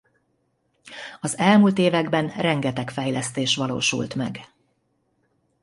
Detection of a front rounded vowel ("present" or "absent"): absent